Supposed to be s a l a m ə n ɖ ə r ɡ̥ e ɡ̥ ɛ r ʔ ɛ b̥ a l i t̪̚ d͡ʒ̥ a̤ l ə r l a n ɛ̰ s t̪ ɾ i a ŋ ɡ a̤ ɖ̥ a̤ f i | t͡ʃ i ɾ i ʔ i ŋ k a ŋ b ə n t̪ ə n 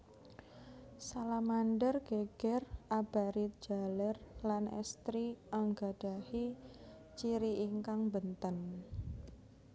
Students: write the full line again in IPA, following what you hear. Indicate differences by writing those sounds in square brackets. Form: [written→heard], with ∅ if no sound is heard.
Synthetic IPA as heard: s a l a m [ə→a] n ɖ ə r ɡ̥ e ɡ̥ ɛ r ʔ [ɛ→a] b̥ a [l→ɾ] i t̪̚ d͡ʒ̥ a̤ l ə r l a n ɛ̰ s t̪ ɾ i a ŋ ɡ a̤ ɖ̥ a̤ [f→h] i | t͡ʃ i ɾ i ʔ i ŋ k a ŋ b ə n t̪ ə n